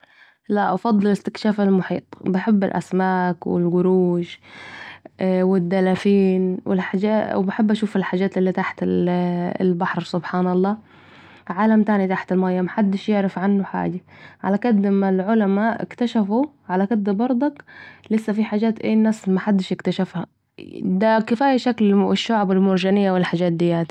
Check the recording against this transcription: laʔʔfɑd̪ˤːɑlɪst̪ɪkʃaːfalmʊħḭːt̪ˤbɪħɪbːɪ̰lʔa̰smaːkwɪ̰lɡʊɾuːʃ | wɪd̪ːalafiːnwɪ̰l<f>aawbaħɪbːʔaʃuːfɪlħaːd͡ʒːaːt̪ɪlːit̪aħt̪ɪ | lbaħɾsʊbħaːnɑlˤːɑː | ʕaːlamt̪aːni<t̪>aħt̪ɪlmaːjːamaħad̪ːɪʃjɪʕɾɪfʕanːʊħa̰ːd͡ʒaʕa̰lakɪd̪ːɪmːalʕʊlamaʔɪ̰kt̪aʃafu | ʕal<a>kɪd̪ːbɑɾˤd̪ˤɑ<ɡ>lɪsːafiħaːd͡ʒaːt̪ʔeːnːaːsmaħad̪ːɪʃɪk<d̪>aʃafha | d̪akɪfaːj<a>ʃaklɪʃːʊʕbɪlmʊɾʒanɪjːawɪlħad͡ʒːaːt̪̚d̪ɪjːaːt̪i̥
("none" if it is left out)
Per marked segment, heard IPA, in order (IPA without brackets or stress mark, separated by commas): ħ, t̪, a, k, t̪, a